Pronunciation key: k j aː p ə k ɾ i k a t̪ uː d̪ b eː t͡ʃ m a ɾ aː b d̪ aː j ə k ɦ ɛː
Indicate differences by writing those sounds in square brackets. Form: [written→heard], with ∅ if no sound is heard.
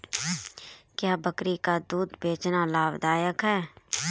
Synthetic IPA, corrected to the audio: k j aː [p→b] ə k ɾ i k a [t̪→d̪] uː d̪ b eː t͡ʃ [m→n] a [ɾ→l] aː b d̪ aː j ə k ɦ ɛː